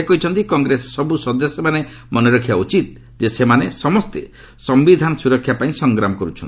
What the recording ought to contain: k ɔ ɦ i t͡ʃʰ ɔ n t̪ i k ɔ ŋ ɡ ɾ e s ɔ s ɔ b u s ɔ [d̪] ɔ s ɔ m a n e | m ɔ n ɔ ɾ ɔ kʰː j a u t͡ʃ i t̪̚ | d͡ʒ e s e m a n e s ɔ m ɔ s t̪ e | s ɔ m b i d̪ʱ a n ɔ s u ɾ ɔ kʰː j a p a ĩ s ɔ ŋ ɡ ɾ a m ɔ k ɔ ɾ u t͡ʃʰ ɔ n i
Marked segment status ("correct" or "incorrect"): correct